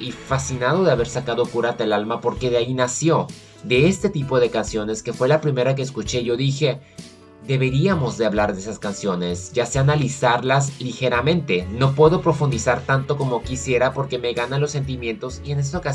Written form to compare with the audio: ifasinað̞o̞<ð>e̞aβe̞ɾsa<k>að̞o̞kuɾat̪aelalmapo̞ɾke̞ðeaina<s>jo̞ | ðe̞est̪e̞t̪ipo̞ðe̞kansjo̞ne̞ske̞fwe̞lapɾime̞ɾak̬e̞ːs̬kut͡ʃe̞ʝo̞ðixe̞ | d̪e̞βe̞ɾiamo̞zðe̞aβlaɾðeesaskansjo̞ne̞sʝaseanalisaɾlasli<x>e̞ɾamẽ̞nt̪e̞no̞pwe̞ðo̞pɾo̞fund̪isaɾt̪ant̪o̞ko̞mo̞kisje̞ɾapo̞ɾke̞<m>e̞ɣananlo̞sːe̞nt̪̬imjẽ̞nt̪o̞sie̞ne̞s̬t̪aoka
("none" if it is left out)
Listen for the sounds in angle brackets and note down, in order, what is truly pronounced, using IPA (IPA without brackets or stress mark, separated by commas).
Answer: ð, k, s, x, m